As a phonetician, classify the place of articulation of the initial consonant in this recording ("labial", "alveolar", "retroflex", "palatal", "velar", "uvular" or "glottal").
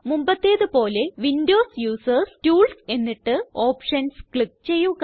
labial